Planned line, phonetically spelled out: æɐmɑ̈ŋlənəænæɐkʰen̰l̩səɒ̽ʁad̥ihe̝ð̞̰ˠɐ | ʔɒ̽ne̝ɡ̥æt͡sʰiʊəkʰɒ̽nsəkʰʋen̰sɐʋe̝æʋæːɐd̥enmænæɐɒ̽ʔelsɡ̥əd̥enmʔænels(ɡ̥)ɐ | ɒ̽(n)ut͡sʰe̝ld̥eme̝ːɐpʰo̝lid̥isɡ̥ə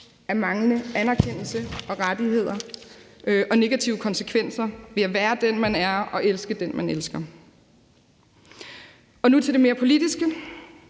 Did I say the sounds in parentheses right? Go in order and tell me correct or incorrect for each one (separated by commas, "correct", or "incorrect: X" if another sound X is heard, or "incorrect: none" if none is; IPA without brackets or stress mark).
correct, correct